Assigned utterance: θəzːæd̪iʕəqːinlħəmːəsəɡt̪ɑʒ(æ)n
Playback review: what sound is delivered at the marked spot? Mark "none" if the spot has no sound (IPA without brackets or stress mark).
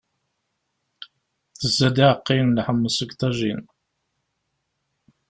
i